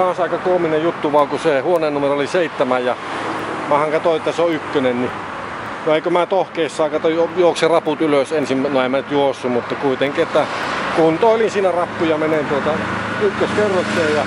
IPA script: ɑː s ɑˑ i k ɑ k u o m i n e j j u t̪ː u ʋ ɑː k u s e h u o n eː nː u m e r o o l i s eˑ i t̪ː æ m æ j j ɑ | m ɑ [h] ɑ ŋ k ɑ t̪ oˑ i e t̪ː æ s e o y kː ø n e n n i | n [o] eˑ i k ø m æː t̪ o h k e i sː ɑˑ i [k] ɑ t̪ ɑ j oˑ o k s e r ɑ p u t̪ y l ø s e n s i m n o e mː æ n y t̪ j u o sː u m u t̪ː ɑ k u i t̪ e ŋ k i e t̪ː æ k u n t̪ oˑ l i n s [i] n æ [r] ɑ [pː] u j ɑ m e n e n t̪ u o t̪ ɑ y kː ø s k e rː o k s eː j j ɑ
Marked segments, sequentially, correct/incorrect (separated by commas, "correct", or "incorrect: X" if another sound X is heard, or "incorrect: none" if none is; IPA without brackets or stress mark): correct, correct, correct, incorrect: iː, correct, correct